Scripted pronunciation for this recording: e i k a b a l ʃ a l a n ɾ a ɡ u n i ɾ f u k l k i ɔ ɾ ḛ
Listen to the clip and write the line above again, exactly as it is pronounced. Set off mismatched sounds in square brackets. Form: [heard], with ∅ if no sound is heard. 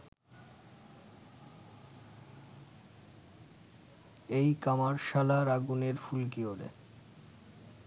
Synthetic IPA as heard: e [j] k a [m] a [ɾ] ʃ a l a [∅] ɾ a ɡ u n [e] ɾ f u [∅] l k i [o] ɾ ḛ